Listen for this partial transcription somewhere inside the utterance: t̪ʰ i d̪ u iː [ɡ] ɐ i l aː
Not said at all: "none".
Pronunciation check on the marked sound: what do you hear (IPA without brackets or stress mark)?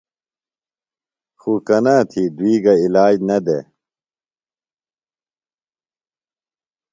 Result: ɡ